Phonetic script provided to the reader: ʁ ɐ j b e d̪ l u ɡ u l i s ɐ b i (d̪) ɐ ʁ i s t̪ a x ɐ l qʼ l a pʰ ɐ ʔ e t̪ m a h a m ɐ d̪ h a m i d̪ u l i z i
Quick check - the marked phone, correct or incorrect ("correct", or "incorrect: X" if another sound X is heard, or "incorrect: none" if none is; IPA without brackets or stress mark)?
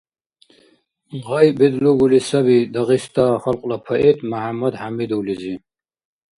correct